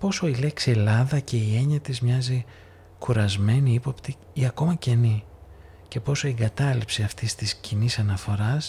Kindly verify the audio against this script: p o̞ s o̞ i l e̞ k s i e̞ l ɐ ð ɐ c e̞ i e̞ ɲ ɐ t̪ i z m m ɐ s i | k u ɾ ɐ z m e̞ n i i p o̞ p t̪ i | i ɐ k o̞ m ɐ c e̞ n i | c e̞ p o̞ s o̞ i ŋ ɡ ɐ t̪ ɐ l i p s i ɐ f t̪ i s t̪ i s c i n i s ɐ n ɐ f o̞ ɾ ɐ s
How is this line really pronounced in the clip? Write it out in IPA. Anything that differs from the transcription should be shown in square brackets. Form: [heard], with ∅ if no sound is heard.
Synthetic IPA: p o̞ s o̞ i l e̞ k s i e̞ l ɐ ð ɐ c e̞ i e̞ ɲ ɐ t̪ i z m [ɲ] ɐ [z] i | k u ɾ ɐ z m e̞ n i i p o̞ p t̪ i | i ɐ k o̞ m ɐ c e̞ n i | c e̞ p o̞ s o̞ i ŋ ɡ ɐ t̪ ɐ l i p s i ɐ f t̪ i s t̪ i s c i n i s ɐ n ɐ f o̞ ɾ ɐ s